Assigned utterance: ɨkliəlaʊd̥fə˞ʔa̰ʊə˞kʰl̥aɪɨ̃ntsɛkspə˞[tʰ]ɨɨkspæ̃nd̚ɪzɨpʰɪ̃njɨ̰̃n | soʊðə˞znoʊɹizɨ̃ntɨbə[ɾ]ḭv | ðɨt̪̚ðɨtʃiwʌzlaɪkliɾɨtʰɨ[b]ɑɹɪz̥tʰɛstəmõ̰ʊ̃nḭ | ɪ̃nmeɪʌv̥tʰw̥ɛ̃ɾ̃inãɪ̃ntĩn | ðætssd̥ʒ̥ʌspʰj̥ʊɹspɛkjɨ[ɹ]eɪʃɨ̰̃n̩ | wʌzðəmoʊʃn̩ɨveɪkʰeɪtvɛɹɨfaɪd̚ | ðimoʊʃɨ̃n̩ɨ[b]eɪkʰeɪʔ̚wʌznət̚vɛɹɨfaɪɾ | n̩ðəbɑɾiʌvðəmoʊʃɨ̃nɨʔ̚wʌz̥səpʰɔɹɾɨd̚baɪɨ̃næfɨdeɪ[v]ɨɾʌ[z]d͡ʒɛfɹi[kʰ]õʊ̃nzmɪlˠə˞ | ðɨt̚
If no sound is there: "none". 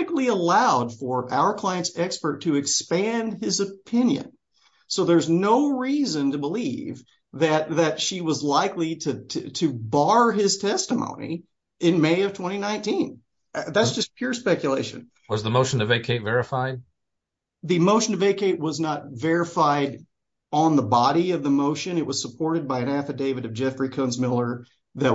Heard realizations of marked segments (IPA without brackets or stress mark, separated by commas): tʰ, l, b, l, v, v, v, kʰ